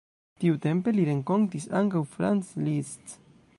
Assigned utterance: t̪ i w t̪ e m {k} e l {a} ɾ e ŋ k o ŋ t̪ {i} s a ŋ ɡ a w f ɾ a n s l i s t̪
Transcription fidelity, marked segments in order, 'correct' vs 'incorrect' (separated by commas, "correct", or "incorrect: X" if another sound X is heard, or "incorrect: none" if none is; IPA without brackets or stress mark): incorrect: p, incorrect: i, correct